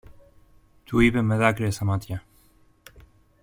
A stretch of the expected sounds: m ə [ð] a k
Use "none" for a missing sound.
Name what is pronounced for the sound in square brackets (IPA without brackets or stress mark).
ð